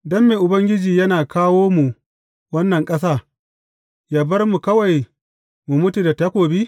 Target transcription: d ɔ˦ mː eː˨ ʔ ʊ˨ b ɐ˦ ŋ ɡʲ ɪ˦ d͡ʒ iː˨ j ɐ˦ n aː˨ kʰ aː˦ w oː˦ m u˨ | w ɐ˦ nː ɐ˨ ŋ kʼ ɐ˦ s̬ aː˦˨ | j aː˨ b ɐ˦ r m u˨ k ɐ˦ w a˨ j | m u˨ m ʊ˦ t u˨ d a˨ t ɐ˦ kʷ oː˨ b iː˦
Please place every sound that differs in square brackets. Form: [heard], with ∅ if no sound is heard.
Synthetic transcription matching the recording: d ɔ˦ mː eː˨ ʔ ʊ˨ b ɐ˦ ŋ ɡʲ ɪ˦ d͡ʒ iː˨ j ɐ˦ n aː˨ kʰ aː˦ w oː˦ m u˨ | w ɐ˦ nː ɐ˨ ŋ kʼ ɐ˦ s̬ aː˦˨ | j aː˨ b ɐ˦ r m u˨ k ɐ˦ w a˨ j | m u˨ m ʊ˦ t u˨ d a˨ t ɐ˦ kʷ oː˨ b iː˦